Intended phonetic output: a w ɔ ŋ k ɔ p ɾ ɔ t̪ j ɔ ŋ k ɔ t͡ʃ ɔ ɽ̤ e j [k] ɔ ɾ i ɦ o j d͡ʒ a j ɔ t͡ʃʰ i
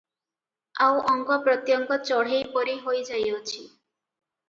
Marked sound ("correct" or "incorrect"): incorrect